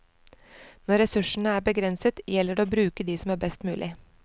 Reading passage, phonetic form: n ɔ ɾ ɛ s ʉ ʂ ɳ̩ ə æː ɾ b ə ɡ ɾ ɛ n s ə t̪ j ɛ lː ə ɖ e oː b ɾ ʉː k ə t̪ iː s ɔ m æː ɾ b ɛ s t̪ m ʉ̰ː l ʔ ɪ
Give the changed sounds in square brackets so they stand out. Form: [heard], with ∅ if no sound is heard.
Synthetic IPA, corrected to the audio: n ɔ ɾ ɛ s ʉ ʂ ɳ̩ ə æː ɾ b ə ɡ ɾ ɛ n s ə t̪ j ɛ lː ə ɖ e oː b ɾ ʉː k ə [d̪] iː s ɔ m æː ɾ b ɛ s t̪ m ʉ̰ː l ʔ ɪ